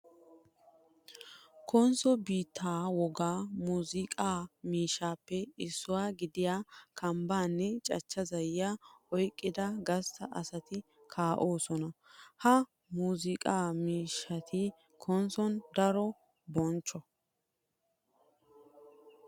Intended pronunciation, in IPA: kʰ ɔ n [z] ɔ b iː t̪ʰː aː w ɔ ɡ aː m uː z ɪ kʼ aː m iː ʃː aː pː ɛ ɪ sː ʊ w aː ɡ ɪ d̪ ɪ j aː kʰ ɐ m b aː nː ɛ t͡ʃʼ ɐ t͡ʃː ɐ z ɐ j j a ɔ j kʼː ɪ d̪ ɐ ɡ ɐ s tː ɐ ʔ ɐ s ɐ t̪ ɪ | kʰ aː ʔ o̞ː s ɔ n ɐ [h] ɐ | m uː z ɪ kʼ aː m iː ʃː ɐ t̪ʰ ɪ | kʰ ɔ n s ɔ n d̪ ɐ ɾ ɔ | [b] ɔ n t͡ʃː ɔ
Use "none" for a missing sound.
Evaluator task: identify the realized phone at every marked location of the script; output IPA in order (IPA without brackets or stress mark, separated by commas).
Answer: s, h, b